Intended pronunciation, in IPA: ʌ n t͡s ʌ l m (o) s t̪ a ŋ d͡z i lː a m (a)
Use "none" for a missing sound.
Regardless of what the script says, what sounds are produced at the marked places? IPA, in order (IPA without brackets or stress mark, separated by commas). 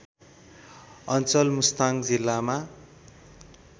u, a